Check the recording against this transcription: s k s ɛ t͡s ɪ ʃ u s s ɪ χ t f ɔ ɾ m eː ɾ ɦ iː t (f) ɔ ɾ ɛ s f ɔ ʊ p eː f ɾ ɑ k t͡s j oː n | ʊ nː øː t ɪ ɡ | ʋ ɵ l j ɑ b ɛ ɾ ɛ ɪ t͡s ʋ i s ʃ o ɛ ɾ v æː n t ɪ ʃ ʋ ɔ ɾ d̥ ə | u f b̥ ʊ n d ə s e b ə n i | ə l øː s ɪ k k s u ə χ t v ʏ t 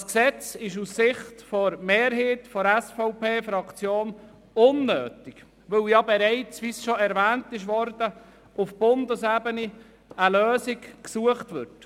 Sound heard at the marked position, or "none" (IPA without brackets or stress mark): f